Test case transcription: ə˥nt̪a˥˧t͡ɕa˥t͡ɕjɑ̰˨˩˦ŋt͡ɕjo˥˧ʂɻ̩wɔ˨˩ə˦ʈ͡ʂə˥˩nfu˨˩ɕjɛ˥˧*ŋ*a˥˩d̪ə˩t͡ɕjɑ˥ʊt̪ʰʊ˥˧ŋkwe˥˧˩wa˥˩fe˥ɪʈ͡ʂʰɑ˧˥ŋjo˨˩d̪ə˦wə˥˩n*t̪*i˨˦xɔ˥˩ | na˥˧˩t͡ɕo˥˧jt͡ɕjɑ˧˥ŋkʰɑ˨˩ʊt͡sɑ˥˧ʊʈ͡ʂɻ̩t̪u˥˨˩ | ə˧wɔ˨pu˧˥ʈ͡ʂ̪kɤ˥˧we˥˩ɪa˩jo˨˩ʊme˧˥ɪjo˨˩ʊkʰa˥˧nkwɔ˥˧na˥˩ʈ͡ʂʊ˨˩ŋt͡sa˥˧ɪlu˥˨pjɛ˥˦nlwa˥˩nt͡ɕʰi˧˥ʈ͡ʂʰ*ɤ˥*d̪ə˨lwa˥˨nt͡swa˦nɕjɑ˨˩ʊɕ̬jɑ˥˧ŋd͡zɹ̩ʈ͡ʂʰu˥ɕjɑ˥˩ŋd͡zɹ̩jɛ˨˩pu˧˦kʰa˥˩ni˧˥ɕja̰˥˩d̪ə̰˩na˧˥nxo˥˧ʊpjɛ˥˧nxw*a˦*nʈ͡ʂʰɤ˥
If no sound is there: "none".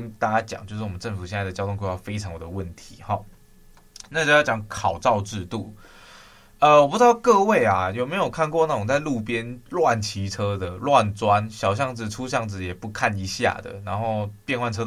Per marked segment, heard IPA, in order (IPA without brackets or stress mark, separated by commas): n, t̪ʰ, ɤ˥, a˥˩